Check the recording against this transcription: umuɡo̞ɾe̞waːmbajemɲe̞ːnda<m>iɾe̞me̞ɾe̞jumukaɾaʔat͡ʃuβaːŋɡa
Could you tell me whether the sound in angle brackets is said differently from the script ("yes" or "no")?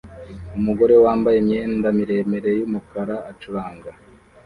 no